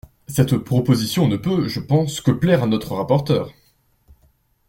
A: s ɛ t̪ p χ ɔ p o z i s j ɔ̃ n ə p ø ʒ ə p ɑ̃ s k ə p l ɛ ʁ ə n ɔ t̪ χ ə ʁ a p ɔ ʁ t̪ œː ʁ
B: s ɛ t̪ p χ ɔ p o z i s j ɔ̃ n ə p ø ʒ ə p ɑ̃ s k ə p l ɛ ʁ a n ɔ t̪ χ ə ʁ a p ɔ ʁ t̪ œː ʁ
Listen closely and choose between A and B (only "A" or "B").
B